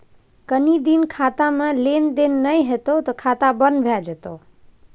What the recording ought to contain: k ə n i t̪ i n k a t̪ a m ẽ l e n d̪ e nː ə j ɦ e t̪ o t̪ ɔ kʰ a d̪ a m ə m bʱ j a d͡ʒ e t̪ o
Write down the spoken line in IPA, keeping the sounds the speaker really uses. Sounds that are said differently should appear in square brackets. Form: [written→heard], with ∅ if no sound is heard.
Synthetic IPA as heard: k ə n i [t̪→d̪] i n [k→kʰ] a t̪ a m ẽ l e n d̪ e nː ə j ɦ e t̪ o t̪ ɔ kʰ a [d̪→t̪] a [m→b] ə [m→n] bʱ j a d͡ʒ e t̪ o